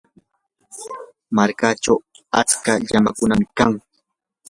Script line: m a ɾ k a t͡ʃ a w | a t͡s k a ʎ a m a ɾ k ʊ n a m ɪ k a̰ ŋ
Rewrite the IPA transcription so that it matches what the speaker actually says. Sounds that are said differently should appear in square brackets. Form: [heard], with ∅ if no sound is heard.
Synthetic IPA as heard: m a ɾ k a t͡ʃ a w | a t͡s k a ʎ a m a [∅] k ʊ n a m ɪ k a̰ ŋ